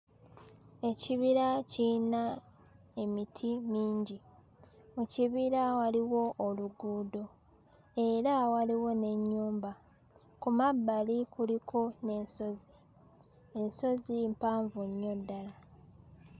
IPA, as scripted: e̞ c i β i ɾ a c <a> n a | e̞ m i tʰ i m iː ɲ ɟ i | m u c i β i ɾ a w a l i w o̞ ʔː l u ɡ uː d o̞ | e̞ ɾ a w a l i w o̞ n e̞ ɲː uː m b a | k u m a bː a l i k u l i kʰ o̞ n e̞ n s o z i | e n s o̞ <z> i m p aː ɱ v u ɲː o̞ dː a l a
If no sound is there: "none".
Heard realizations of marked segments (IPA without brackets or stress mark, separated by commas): i, z